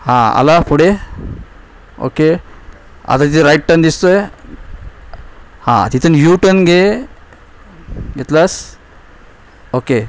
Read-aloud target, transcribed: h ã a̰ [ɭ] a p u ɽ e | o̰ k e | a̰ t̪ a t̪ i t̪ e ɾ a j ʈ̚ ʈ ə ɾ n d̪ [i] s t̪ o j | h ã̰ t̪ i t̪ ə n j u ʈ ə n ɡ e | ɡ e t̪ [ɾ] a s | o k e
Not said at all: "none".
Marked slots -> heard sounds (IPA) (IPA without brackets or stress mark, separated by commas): l, i, l